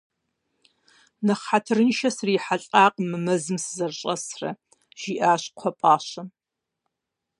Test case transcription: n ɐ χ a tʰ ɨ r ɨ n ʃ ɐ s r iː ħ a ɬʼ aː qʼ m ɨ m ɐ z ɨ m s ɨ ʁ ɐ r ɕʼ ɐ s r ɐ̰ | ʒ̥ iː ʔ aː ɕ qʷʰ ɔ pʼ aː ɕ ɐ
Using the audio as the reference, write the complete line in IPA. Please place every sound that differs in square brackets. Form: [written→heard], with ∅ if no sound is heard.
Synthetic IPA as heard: n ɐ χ a tʰ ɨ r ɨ n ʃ ɐ s r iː ħ a ɬʼ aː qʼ m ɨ m ɐ z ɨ m s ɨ [ʁ→z] ɐ r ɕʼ ɐ s r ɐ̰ | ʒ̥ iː ʔ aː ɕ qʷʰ ɔ pʼ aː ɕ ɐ